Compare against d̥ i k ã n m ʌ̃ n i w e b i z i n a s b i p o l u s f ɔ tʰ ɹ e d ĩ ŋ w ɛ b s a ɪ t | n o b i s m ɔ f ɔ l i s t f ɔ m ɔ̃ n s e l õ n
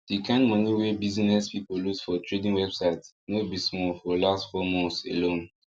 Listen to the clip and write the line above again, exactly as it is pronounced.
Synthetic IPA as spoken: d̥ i k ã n m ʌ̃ n i w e b i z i n ɛ s p i p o l u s f ɔ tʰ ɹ e d ĩ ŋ w ɛ b s a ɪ t | n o b i s m ɔ f ɔ l a s t f ɔ m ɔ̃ n s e l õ n